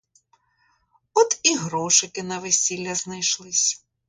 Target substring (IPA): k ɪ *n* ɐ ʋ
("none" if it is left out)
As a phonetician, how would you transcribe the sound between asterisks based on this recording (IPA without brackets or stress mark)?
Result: n